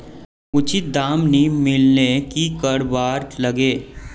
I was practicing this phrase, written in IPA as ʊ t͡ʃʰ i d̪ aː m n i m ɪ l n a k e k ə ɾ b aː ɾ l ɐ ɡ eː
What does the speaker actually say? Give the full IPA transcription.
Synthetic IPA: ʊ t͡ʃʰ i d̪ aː m n i m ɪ l n e k i k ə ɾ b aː ɾ l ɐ ɡ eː